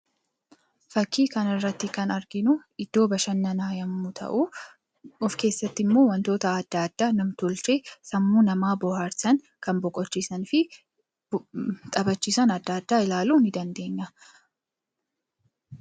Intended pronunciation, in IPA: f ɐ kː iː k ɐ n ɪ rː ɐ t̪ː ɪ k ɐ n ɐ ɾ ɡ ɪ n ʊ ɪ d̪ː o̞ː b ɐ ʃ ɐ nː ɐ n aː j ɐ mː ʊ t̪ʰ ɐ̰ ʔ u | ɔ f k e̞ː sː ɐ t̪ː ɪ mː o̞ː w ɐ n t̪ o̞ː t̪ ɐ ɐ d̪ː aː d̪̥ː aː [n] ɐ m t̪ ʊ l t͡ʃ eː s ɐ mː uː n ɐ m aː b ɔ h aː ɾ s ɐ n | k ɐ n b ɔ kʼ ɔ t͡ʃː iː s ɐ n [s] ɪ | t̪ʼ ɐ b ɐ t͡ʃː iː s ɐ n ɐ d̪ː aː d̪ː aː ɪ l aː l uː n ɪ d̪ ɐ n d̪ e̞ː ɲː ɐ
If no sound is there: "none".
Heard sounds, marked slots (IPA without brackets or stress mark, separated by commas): n, f